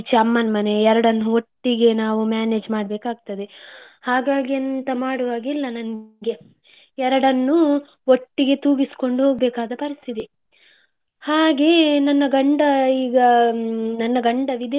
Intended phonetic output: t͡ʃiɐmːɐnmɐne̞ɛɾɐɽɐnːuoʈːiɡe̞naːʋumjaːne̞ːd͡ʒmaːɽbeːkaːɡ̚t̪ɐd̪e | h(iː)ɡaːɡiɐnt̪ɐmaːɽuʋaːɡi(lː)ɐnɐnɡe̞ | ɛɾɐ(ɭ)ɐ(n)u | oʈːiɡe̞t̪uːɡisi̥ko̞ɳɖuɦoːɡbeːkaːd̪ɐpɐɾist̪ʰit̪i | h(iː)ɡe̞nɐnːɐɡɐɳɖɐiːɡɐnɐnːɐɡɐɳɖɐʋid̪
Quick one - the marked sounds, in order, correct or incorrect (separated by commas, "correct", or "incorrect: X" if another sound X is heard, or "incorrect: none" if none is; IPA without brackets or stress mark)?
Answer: incorrect: aː, correct, incorrect: ɽ, incorrect: nː, incorrect: aː